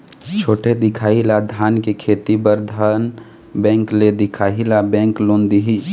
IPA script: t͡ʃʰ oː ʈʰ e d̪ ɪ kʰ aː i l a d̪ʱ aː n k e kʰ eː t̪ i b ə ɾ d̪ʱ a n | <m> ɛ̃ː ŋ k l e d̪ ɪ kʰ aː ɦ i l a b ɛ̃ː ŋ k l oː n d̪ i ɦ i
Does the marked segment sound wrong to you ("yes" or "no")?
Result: yes